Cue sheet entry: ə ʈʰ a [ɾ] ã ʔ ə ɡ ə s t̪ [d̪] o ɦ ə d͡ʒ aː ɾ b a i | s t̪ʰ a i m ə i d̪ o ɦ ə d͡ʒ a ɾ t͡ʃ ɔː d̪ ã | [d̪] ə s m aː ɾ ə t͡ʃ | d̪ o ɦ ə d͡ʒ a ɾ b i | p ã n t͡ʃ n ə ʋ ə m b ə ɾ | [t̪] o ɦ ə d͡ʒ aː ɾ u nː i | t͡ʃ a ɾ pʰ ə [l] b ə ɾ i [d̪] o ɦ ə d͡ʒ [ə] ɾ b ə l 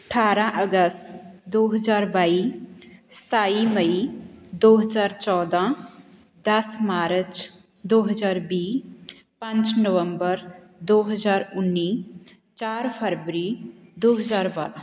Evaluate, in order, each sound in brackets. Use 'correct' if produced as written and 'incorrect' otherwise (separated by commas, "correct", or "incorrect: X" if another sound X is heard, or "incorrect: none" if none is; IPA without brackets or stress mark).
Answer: correct, correct, correct, incorrect: d̪, incorrect: ɾ, correct, incorrect: a